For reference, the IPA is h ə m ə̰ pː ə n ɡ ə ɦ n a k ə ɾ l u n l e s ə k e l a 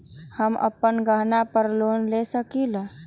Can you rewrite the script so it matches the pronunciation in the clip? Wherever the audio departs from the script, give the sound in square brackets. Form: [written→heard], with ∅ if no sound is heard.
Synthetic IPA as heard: h ə m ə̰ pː ə n ɡ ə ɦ n a [k→p] ə ɾ l [u→o] n l e s ə k [e→i] l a